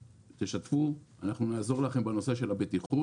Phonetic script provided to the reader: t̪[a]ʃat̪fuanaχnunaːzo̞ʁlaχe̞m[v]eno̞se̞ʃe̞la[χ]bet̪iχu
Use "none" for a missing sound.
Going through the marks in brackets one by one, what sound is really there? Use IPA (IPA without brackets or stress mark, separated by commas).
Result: e, b, none